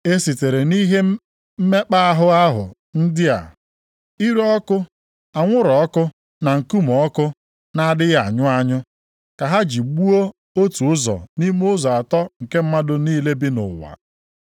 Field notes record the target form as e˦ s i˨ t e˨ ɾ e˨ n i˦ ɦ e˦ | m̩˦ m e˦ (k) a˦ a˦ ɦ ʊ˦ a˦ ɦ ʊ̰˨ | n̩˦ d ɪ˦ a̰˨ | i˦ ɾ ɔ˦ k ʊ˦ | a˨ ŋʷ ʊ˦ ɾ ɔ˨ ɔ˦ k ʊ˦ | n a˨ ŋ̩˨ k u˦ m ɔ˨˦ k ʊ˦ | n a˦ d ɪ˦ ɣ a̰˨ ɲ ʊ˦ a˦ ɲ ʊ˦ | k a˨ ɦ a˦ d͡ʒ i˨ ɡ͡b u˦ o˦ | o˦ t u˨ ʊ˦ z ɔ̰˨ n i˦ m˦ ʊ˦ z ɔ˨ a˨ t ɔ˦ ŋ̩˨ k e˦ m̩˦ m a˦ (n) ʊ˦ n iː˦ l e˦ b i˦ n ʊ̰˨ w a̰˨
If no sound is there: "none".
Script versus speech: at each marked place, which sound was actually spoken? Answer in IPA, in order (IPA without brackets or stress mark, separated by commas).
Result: k͡p, d